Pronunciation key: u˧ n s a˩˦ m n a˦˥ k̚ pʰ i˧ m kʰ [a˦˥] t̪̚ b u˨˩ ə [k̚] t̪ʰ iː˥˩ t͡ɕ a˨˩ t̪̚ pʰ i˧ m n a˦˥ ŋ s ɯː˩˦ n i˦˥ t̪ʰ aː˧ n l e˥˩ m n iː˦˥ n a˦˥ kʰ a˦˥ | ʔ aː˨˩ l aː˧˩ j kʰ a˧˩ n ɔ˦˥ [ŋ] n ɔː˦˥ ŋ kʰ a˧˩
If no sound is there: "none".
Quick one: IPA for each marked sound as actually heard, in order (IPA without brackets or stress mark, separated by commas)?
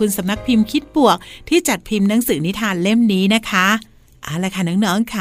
i˦˥, k̚, ŋ